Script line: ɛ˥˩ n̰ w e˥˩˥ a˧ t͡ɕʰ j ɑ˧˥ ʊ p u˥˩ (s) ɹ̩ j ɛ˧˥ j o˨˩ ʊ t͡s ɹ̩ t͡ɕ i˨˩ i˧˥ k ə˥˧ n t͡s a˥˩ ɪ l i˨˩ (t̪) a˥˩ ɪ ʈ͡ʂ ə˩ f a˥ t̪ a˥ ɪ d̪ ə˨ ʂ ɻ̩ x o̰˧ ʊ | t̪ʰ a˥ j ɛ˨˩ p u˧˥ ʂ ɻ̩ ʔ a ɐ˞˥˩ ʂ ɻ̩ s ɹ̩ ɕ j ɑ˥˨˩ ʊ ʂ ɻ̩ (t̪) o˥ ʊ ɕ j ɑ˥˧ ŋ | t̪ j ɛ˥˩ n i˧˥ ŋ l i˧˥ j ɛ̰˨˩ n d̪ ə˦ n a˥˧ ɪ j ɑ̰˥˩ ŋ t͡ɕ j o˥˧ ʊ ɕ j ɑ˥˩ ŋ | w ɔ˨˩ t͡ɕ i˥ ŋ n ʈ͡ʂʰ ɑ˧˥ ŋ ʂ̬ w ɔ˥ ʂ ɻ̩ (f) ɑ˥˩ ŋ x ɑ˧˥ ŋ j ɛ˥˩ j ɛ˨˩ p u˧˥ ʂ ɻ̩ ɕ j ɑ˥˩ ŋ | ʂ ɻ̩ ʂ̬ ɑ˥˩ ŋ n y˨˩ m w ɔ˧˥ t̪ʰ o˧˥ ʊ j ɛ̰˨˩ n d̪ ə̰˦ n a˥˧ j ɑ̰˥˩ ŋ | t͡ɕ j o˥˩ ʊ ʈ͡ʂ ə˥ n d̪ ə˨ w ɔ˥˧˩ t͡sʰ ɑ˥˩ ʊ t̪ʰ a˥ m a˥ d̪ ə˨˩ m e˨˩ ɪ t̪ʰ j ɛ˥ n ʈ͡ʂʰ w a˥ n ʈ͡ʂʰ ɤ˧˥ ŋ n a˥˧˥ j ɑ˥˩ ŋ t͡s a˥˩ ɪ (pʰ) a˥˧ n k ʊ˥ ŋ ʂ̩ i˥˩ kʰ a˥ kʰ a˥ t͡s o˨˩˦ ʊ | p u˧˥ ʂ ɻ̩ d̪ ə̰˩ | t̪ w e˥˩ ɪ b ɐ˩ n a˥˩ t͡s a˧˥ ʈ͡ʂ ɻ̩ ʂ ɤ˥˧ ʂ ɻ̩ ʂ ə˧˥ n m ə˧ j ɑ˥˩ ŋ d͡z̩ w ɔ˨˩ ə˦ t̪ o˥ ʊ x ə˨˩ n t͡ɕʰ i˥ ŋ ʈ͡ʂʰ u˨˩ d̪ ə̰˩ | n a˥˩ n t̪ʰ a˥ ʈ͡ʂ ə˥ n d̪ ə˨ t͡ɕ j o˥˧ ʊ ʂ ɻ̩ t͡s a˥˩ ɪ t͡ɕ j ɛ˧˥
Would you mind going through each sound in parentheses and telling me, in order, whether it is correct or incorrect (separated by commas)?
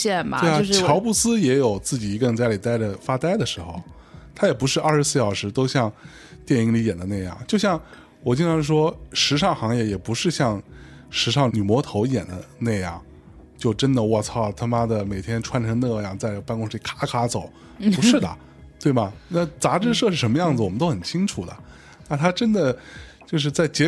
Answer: correct, correct, correct, incorrect, incorrect